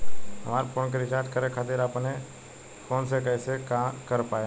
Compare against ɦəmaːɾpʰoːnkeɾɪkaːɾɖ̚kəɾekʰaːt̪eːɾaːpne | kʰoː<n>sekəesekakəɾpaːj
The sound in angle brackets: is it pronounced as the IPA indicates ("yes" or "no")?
yes